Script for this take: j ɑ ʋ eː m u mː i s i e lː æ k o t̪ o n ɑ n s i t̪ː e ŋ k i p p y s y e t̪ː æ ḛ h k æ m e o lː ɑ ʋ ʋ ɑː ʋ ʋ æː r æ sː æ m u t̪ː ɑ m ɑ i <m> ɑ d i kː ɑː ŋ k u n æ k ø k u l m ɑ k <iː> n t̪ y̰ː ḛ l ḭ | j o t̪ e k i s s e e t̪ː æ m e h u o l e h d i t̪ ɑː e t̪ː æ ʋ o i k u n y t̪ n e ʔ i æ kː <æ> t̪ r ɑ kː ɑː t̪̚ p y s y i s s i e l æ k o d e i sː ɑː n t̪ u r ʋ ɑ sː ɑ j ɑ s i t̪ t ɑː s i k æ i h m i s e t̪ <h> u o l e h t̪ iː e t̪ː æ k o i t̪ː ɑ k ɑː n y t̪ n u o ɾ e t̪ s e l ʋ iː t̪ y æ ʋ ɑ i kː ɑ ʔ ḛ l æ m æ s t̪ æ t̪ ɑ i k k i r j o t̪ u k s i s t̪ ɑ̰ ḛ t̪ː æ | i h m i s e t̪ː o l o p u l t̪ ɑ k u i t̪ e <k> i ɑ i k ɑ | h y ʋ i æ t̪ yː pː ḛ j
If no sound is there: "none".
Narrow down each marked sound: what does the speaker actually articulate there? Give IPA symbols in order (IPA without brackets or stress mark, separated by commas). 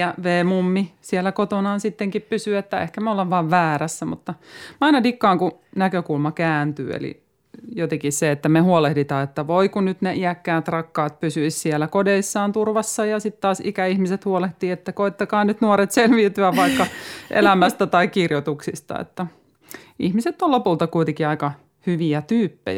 n, æː, æː, h, k